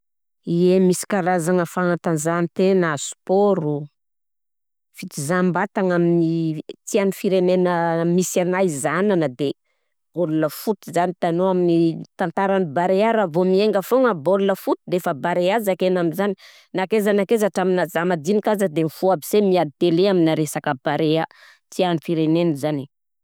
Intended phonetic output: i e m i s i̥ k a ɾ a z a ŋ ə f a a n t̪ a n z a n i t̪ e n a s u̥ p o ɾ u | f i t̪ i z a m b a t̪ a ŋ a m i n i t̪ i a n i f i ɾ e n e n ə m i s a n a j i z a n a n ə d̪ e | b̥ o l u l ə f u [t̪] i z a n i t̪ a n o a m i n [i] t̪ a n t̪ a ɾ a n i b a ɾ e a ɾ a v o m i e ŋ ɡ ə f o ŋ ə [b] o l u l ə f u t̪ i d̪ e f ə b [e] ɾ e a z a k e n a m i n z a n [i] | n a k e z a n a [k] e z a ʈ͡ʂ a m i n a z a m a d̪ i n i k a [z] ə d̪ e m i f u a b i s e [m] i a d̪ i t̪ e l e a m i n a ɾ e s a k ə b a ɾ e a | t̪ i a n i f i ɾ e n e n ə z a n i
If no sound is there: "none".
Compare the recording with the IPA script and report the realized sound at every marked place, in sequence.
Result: t̪, i, b, a, i, k, z, m

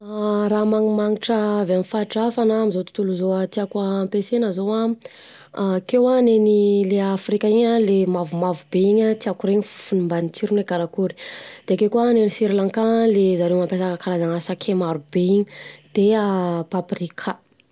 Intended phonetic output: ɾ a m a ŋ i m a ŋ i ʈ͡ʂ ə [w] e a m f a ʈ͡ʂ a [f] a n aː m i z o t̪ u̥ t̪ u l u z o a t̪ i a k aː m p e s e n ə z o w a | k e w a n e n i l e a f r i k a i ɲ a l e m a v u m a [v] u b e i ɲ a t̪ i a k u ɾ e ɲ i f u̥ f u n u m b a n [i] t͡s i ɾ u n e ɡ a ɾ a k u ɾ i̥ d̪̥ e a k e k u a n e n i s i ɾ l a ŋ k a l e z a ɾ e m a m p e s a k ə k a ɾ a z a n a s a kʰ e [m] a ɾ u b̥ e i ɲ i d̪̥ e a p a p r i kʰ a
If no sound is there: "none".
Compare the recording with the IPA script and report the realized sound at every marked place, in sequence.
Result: v, f, v, i, m

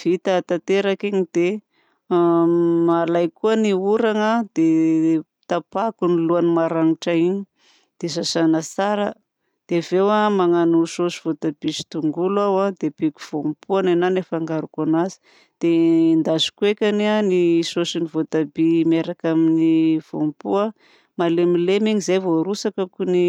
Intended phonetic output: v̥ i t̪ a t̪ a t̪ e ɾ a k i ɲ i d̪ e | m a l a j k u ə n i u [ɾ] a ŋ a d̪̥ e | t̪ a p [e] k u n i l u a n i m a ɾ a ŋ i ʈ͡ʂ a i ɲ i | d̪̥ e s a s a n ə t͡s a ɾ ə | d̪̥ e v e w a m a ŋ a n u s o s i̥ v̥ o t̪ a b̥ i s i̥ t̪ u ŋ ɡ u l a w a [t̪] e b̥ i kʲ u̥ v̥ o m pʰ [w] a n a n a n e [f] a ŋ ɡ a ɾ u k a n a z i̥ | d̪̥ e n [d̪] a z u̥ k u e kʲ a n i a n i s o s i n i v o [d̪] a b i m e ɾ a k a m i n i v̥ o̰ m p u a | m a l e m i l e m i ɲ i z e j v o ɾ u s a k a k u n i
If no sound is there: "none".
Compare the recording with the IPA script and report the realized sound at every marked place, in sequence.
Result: ɾ, a, d̪, u, f, d̪, t̪

